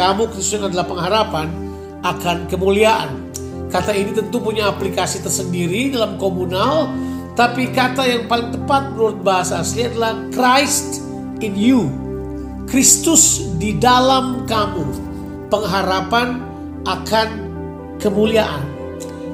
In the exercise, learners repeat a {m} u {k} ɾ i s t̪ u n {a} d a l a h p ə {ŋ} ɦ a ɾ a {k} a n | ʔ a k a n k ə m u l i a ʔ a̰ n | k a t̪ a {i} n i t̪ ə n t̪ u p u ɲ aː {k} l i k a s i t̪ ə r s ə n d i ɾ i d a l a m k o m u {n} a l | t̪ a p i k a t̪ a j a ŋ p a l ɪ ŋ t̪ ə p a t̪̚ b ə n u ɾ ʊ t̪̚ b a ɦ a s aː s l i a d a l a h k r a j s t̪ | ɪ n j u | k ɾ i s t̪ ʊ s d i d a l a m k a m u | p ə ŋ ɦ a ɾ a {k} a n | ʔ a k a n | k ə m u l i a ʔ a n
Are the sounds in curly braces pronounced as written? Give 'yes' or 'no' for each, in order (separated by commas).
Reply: yes, yes, yes, yes, no, yes, no, yes, no